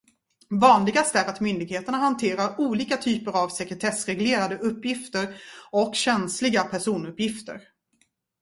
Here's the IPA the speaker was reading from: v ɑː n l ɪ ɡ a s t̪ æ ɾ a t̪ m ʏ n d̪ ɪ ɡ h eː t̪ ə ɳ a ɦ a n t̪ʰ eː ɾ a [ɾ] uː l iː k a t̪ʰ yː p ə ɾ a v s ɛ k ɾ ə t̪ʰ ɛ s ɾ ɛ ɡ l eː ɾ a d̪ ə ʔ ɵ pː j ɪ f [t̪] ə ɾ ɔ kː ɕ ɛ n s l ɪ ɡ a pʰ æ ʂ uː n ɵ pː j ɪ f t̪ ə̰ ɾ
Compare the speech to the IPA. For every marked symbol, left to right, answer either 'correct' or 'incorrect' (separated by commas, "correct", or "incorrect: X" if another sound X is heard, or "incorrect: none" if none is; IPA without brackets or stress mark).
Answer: correct, correct